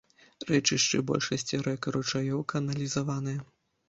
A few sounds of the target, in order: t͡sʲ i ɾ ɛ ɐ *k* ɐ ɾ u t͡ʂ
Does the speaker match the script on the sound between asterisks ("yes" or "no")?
yes